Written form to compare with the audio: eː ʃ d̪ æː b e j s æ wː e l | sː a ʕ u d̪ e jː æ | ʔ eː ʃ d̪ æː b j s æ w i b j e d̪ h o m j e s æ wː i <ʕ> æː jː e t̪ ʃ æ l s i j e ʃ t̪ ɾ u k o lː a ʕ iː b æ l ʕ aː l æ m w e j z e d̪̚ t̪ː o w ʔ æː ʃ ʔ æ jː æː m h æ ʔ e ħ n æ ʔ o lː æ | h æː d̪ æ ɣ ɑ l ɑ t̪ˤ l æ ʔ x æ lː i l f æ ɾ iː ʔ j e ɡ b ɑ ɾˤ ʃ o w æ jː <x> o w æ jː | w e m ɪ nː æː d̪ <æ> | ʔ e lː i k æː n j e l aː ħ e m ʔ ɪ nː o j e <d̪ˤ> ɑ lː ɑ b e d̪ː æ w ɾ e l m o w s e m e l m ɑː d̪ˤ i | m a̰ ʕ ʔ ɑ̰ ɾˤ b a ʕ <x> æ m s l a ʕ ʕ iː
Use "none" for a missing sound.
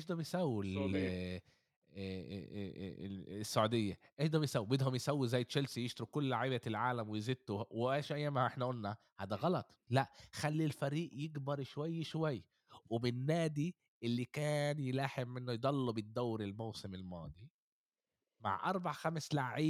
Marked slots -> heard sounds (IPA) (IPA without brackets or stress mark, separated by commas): z, ʃ, i, d̪ˤ, x